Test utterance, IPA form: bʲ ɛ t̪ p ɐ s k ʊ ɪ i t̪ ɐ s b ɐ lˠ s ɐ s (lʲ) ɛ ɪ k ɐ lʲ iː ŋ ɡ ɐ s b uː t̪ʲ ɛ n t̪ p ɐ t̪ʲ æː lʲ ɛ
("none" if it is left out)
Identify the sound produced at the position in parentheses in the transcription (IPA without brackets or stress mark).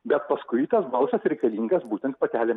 ɾʲ